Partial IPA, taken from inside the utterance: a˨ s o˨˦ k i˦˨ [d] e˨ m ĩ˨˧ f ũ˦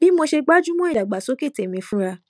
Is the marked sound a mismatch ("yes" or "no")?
yes